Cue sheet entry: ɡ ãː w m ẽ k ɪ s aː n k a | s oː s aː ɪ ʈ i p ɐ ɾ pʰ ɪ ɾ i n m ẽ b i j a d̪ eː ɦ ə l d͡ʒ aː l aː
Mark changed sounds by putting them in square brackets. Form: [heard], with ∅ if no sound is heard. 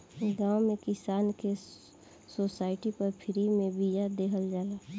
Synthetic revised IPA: ɡ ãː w m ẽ k ɪ s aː n k [e] | s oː s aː ɪ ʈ i p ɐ ɾ pʰ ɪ ɾ i [∅] m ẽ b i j a d̪ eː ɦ ə l d͡ʒ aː l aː